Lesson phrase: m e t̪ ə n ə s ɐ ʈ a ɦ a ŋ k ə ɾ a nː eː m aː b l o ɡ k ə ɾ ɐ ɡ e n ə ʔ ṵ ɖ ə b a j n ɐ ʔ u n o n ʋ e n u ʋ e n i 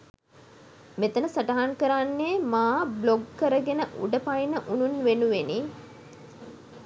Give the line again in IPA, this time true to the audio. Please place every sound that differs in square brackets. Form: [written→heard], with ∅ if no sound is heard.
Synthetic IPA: m e t̪ ə n ə s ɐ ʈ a ɦ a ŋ k ə ɾ a nː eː m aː b l o ɡ k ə ɾ [ɐ→ə] ɡ e n ə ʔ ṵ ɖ ə [b→p] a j n [ɐ→ə] ʔ u n [o→u] n ʋ e n u ʋ e n i